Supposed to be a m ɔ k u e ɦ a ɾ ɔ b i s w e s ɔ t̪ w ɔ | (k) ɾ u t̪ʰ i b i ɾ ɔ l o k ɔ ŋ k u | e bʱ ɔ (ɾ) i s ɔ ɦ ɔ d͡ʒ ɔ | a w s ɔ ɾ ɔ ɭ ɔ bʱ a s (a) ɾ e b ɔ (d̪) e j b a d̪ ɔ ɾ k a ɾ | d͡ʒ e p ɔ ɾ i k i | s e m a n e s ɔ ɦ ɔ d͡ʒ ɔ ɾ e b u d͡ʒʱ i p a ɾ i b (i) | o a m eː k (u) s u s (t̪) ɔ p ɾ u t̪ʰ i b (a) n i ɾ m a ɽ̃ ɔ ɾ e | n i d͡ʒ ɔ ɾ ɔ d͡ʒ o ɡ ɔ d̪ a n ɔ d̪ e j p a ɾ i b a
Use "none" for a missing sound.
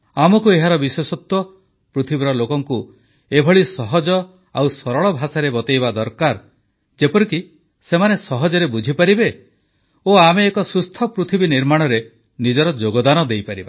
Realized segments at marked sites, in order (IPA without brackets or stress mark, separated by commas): p, ɭ, a, t̪, e, ɔ, t̪ʰ, i